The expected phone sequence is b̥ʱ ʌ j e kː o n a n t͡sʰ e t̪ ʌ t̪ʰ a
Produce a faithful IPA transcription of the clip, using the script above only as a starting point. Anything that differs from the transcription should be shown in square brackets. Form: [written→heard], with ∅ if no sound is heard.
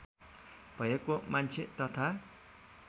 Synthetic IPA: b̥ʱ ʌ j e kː o [n→m] a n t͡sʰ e t̪ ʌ t̪ʰ a